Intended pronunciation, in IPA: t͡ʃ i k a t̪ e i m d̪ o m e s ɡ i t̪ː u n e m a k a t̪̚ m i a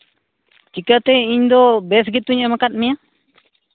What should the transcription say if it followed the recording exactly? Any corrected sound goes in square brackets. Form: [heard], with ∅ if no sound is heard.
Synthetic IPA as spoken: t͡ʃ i k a t̪ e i [ɲ] d̪ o [b] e s ɡ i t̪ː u [ɲ] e m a k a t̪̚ m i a

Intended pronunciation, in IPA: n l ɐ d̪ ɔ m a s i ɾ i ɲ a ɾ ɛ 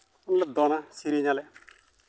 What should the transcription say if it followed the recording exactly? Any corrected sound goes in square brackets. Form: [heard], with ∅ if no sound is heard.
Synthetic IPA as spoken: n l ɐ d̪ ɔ [n] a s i ɾ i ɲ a [l] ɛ

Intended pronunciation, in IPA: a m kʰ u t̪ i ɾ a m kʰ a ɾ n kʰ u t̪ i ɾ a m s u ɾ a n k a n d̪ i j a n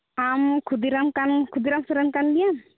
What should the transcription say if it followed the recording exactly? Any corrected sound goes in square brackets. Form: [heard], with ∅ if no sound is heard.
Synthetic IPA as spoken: a m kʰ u [d̪] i ɾ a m [k] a [∅] n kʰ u [d̪] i ɾ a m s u ɾ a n k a n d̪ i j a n

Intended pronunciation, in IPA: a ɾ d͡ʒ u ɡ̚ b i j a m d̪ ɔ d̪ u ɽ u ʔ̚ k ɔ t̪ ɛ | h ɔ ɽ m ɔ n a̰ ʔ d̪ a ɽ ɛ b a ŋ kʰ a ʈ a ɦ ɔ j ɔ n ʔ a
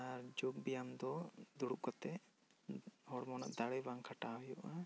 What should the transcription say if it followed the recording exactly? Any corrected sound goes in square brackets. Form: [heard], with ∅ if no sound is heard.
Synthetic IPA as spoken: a ɾ d͡ʒ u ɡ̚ b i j a m d̪ ɔ d̪ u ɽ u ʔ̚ k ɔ t̪ ɛ | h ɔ ɽ m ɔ n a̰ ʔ d̪ a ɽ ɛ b a ŋ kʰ a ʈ a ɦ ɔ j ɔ [∅] ʔ a

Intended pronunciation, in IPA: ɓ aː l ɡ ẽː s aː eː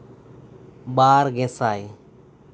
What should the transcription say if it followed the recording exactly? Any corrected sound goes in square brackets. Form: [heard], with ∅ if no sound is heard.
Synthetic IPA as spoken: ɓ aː [ɾ] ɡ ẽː s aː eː

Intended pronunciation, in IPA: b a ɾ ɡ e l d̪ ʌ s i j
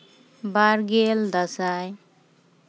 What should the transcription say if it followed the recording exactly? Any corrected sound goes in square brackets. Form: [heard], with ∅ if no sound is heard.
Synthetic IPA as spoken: b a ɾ ɡ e l d̪ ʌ s [a] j

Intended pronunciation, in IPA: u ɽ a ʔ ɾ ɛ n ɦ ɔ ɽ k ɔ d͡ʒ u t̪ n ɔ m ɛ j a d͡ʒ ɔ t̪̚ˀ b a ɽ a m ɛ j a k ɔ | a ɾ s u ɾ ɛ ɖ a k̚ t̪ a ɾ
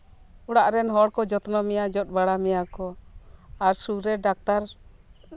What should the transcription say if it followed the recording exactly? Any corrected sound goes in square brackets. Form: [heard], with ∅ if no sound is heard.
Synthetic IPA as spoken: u ɽ a ʔ ɾ ɛ n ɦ ɔ ɽ k ɔ d͡ʒ [ɔ] t̪ n ɔ m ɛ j a d͡ʒ ɔ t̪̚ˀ b a ɽ a m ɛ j a k ɔ | a ɾ s u ɾ ɛ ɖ a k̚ t̪ a ɾ

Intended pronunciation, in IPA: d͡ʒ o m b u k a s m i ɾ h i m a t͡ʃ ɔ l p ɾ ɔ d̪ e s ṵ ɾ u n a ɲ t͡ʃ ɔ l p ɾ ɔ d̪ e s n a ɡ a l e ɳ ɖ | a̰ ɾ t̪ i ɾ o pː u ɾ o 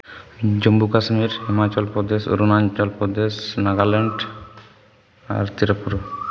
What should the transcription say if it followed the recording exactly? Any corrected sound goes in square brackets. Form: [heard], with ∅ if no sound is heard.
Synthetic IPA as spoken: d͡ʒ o m b u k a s m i ɾ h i m a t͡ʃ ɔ l p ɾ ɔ d̪ e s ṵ ɾ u n a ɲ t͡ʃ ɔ l p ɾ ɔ d̪ e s n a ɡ a l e ɳ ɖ | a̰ ɾ t̪ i ɾ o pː u ɾ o

